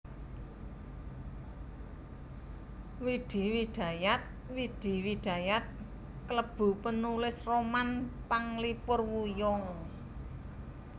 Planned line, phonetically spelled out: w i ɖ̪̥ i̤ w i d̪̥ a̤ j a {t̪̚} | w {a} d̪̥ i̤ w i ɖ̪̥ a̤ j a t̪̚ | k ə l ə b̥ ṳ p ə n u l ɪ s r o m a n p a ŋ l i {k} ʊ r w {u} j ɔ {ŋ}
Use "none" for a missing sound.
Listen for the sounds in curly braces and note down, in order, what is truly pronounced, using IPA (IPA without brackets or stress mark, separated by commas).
t̪̚, i, p, u, ŋ